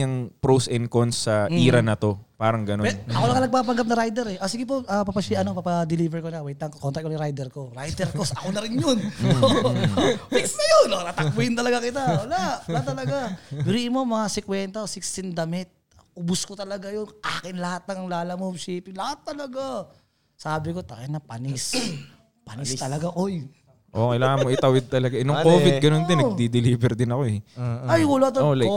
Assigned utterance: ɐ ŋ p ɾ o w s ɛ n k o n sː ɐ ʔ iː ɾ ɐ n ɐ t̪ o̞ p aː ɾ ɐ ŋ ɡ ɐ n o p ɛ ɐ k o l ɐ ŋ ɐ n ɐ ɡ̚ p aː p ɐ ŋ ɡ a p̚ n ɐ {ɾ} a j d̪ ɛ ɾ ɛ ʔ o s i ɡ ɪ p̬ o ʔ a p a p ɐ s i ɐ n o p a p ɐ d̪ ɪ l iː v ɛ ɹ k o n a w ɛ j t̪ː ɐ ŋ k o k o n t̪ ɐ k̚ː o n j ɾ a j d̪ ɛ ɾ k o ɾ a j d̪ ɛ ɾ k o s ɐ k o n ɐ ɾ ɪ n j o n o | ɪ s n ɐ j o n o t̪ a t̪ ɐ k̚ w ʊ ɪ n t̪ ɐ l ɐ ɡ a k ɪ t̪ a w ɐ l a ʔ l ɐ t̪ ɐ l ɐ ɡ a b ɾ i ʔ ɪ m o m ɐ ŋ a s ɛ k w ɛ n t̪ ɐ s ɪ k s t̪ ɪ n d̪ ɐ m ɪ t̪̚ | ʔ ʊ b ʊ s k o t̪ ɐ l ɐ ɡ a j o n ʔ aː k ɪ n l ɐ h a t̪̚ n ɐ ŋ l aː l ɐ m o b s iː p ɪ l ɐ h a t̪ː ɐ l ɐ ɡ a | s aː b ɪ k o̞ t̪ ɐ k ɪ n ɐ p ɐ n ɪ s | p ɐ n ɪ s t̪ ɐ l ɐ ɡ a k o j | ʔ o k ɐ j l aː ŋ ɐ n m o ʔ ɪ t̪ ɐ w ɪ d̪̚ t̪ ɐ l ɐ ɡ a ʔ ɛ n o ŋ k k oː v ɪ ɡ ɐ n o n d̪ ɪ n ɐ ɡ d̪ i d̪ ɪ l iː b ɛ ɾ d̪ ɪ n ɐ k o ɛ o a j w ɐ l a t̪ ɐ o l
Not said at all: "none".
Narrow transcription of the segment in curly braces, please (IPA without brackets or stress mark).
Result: ɾ